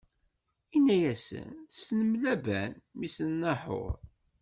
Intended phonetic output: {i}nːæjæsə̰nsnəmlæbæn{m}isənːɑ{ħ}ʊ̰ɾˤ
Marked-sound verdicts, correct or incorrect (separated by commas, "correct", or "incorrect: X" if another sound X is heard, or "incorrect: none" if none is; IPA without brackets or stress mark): correct, correct, correct